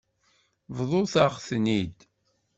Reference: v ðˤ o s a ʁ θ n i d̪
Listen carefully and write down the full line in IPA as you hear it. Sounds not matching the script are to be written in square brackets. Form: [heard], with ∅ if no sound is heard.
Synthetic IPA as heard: v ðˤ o [θ] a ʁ θ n i d̪